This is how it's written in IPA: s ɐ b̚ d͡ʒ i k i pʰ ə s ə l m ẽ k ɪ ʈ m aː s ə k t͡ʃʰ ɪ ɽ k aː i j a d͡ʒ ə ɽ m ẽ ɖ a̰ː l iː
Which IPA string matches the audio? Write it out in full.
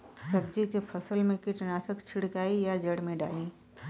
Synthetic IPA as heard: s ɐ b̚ d͡ʒ i k e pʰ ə s ə l m ẽ k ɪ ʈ n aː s ə k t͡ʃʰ ɪ ɽ k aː i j a d͡ʒ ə ɽ m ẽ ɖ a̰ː l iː